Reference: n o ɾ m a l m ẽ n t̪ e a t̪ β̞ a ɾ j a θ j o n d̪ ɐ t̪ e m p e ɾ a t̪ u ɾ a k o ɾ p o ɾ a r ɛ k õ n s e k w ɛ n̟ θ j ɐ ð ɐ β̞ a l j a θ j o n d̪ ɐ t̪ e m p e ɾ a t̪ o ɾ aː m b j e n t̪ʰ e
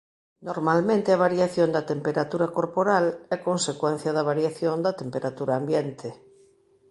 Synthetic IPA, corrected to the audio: n o ɾ m a l m ẽ n t̪ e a β̞ a ɾ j a θ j o n d̪ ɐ t̪ e m p e ɾ a t̪ u ɾ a k o ɾ p o ɾ a l ɛ k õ n s e k w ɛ n̟ θ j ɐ ð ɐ β̞ a ɾ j a θ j o n d̪ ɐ t̪ e m p e ɾ a t̪ u ɾ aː m b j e n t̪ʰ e